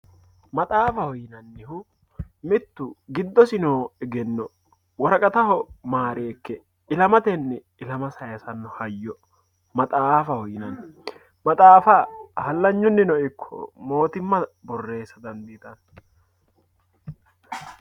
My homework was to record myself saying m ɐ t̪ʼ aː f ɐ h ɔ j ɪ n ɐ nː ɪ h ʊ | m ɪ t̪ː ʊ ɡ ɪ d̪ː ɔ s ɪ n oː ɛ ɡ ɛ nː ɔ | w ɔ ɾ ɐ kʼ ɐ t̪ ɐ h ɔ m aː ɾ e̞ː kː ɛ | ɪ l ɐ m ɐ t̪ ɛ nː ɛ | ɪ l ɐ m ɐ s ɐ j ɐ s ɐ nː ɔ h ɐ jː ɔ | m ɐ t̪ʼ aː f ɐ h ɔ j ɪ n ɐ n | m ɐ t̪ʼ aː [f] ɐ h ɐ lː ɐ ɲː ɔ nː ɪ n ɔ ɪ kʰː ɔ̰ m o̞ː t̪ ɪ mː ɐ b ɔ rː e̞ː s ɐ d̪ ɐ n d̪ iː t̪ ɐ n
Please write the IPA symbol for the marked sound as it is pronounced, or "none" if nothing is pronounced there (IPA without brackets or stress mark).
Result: f